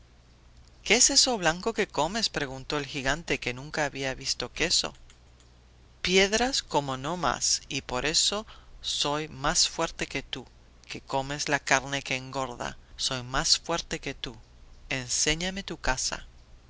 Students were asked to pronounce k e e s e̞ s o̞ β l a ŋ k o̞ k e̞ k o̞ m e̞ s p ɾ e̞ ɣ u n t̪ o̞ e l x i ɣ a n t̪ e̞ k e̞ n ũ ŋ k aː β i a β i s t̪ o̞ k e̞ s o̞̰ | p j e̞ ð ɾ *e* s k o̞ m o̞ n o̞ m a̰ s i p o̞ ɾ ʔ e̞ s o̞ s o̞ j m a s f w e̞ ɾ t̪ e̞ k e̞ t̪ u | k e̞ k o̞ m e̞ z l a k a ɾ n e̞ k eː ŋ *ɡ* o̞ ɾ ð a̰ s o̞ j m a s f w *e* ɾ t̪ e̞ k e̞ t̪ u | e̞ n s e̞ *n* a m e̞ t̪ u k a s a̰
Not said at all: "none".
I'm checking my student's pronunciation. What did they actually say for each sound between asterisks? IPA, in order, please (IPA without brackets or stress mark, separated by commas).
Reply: a, ɡ, e, ɲ